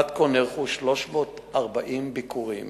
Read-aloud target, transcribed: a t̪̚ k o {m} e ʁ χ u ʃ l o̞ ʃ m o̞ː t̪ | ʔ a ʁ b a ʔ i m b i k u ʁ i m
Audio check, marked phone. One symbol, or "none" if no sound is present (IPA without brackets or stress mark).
n